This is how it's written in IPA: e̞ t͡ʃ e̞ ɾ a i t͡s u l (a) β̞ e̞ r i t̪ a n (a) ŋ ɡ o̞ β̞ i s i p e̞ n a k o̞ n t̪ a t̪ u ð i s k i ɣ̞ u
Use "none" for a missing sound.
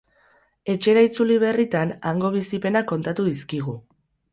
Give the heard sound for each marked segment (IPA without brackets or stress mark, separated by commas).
i, a